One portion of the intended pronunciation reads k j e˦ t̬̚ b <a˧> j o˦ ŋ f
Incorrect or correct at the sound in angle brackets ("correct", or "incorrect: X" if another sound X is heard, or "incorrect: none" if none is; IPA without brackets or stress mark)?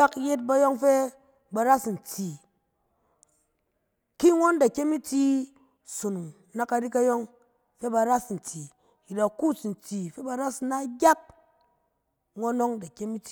correct